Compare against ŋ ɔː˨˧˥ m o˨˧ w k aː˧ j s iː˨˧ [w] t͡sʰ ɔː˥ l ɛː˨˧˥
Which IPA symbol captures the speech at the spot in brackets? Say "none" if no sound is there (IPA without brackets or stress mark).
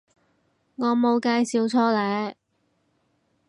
w